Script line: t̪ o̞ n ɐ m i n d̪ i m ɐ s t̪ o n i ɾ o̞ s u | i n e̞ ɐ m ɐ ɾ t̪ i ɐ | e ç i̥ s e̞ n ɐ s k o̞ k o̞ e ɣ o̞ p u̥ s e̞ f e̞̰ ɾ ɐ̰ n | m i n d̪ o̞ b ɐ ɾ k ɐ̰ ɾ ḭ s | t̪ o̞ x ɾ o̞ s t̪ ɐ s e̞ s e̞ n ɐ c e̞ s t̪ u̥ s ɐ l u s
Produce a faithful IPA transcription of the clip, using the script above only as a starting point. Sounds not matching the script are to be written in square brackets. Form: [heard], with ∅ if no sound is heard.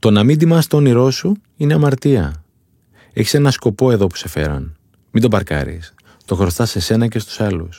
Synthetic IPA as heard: t̪ o̞ n ɐ m i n d̪ i m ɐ s t̪ o n i ɾ o̞ s u | i n e̞ ɐ m ɐ ɾ t̪ i ɐ | e ç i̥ s e̞ n ɐ s k o̞ [p] o̞ e [ð] o̞ p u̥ s e̞ f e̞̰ ɾ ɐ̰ n | m i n d̪ o̞ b ɐ ɾ k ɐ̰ ɾ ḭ s | t̪ o̞ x ɾ o̞ s t̪ ɐ s e̞ s e̞ n ɐ c e̞ s t̪ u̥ s ɐ l u s